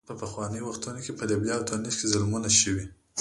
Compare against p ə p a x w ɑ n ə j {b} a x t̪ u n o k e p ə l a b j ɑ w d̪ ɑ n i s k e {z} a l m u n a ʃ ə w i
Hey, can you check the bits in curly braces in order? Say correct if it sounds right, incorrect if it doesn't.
incorrect, correct

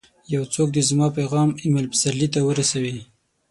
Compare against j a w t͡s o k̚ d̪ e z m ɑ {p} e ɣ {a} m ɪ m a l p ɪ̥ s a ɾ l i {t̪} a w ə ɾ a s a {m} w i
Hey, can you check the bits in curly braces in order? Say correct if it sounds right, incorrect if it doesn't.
correct, incorrect, correct, incorrect

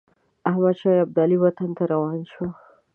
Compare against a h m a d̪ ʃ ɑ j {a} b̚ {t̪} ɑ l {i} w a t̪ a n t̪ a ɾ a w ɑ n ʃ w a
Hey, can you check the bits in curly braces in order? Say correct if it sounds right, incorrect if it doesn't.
correct, incorrect, correct

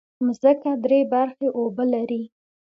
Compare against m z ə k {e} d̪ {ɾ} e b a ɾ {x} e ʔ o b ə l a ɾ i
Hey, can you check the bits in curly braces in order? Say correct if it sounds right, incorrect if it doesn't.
incorrect, correct, correct

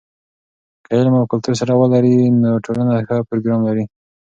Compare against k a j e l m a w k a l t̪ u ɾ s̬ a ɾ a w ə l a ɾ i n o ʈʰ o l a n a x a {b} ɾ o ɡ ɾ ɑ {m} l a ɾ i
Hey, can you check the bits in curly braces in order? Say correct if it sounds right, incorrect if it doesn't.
incorrect, correct

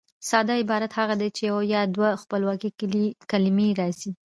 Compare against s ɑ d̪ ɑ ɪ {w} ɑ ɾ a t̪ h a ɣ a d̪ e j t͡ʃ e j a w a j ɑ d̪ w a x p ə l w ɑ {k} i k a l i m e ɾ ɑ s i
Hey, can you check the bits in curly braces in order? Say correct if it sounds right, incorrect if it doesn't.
incorrect, correct

